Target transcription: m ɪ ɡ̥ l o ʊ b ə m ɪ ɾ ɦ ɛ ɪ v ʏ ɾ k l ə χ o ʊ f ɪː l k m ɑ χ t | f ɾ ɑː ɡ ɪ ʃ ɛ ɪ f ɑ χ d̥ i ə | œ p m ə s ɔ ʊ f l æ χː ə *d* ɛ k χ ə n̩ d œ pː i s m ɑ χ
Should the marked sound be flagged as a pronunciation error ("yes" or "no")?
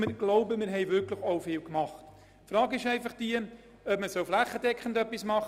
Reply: no